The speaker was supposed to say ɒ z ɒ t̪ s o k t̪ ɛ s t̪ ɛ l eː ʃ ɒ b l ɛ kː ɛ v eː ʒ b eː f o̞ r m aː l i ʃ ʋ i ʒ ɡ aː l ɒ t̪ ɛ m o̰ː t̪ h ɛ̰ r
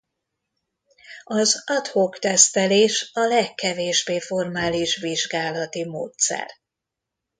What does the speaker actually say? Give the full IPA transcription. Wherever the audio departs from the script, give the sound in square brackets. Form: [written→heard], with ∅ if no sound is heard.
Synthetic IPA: ɒ z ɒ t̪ [s→h] o k t̪ ɛ s t̪ ɛ l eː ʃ ɒ [b→∅] l ɛ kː ɛ v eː ʒ b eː f o̞ r m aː l i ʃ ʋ i ʒ ɡ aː l ɒ t̪ [ɛ→i] m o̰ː t̪ [h→s] ɛ̰ r